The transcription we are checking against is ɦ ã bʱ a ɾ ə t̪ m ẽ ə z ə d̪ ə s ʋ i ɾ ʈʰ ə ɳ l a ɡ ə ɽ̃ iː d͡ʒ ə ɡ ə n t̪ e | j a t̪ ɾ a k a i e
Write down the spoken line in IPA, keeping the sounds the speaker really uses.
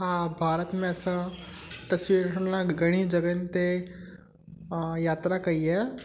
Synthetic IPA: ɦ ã bʱ a ɾ ə t̪ m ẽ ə s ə t̪ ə s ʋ i ɾ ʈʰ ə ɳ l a ɡ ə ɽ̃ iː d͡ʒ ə ɡ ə n t̪ e | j a t̪ ɾ a k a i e